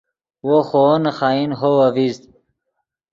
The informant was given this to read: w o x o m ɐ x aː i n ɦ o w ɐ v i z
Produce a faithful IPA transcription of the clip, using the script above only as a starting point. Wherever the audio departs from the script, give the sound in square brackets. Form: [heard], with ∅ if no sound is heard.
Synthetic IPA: w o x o [n] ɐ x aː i n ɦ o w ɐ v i z